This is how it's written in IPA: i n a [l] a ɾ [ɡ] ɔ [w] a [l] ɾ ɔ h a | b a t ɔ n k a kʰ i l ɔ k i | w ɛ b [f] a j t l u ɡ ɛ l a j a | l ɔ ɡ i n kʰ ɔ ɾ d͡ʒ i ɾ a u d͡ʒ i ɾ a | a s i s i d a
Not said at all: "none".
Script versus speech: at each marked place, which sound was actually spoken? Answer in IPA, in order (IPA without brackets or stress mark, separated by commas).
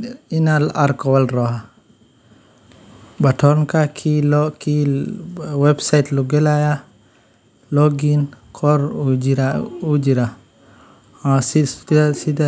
l, k, w, l, s